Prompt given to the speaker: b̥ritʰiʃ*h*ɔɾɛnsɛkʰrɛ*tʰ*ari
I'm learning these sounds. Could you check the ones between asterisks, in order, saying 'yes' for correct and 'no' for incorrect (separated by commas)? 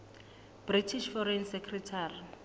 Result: no, yes